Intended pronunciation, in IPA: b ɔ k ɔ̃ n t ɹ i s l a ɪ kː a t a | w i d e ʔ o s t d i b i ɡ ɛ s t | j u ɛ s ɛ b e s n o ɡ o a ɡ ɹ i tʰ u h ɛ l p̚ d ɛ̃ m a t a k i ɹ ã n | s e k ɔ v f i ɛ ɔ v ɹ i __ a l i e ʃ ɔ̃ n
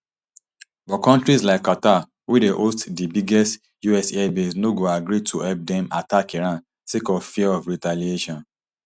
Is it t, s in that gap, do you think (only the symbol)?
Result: t